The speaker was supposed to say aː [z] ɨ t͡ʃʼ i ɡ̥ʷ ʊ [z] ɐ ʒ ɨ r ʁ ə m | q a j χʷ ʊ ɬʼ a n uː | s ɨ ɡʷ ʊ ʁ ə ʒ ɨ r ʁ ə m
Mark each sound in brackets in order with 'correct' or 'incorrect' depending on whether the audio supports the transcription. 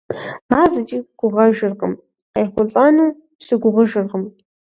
correct, incorrect: ʁ

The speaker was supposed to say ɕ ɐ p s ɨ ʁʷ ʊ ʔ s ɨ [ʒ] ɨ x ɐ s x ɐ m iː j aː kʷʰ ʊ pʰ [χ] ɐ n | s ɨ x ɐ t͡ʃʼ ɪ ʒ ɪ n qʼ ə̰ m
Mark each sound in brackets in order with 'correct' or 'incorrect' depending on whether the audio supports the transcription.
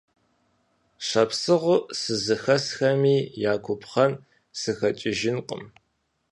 incorrect: z, correct

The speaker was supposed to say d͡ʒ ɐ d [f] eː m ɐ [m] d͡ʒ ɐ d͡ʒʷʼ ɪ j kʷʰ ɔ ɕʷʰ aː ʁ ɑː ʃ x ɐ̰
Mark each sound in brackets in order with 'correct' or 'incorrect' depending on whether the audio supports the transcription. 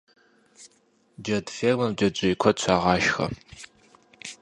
correct, correct

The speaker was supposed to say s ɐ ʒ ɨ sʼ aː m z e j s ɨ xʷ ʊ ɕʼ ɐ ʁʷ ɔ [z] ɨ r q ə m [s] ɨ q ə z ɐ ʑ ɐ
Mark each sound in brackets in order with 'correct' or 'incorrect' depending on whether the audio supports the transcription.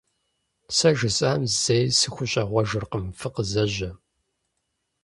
incorrect: ʒ, incorrect: f

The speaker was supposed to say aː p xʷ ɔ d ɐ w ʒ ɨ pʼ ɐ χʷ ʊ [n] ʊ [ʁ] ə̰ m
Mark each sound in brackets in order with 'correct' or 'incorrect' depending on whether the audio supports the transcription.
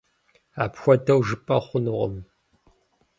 correct, correct

